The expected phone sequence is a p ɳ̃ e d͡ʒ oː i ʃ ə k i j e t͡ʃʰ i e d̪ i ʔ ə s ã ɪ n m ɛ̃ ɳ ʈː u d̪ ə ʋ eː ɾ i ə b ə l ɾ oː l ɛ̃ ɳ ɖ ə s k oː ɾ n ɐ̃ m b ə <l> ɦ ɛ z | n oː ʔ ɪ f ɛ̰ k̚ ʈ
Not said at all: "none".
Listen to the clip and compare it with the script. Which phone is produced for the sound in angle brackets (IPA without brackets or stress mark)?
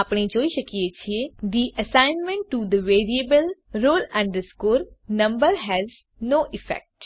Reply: ɾ